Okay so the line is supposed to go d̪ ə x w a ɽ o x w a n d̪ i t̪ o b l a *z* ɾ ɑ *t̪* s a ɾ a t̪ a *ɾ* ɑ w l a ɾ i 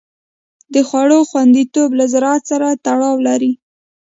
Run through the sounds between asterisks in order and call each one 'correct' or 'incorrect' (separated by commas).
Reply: correct, correct, incorrect